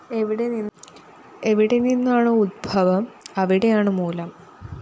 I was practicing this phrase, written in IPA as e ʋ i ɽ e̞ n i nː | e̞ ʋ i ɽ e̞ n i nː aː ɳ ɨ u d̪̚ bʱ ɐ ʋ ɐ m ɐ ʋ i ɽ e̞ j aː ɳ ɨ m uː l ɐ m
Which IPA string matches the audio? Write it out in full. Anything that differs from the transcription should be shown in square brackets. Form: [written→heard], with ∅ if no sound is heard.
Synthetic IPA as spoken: e ʋ i ɽ e̞ n i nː | e̞ ʋ i ɽ e̞ n i nː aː ɳ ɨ u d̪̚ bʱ ɐ ʋ ɐ m ɐ ʋ i ɽ e̞ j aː ɳ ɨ m uː l ɐ m

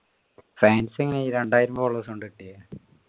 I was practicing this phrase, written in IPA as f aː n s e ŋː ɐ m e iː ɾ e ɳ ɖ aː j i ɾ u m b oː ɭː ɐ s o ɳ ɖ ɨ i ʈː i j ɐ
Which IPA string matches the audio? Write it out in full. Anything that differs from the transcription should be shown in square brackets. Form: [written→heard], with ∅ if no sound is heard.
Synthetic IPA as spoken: f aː n s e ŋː ɐ [m→n] e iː ɾ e ɳ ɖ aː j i ɾ u m b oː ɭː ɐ s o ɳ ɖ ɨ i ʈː i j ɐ

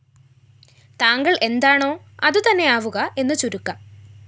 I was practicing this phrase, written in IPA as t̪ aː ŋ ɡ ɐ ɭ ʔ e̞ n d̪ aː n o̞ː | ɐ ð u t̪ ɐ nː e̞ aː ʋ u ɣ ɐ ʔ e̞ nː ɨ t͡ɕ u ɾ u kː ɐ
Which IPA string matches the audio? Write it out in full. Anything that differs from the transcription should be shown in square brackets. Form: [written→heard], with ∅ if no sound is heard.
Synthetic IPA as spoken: t̪ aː ŋ ɡ ɐ ɭ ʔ e̞ n d̪ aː [n→ɳ] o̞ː | ɐ ð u t̪ ɐ nː e̞ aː ʋ u ɣ ɐ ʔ e̞ nː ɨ t͡ɕ u ɾ u kː ɐ

